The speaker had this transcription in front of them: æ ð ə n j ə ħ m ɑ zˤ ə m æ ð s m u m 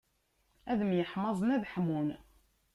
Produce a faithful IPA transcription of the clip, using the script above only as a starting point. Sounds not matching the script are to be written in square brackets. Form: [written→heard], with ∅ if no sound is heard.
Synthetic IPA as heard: æ ð ə [n→m] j ə ħ m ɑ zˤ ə [m→n] æ ð [s→ħ] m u [m→n]